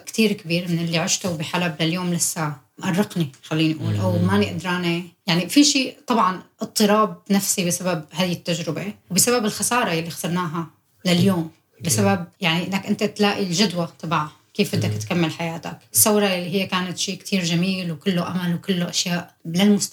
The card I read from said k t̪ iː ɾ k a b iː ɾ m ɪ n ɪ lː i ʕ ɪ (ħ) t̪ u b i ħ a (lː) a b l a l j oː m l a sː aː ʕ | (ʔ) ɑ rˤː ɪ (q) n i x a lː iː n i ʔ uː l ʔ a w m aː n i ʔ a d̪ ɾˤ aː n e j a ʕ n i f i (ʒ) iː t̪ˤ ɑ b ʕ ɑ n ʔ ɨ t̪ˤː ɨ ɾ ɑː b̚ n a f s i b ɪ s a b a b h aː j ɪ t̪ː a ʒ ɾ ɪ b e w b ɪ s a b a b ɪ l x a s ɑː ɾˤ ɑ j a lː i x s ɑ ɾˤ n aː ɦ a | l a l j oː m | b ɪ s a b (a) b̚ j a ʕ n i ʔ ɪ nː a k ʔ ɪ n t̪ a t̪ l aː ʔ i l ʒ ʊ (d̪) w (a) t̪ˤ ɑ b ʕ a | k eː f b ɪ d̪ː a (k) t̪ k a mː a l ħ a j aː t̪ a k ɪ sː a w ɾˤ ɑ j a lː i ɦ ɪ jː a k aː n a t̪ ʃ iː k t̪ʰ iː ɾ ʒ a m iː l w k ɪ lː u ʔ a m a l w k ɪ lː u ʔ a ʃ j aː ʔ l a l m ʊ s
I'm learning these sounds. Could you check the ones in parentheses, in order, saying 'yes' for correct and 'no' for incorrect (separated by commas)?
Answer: no, no, yes, yes, no, yes, yes, yes, yes